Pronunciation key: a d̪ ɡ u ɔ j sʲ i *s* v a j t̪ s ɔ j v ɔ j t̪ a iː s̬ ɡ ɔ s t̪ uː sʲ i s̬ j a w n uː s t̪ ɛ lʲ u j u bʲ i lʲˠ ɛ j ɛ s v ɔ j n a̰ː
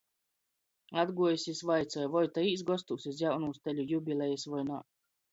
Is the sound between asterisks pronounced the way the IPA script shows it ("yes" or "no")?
yes